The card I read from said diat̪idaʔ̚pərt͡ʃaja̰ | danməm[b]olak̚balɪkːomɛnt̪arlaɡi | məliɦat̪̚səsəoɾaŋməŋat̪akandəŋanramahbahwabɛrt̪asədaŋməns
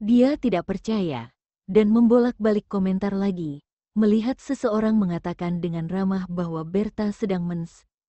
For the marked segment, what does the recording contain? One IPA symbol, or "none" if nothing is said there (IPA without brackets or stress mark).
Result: b